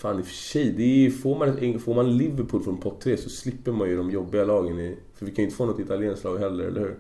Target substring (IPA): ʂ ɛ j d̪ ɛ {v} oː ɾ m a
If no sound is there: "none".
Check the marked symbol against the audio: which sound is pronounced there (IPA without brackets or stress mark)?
f